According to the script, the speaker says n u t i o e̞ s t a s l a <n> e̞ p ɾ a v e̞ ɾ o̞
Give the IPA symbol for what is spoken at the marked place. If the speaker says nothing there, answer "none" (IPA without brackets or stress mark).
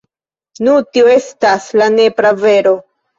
n